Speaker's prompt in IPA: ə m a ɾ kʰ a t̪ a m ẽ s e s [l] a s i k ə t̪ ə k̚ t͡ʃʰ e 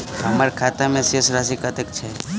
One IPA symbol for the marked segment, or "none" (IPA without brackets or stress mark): ɾ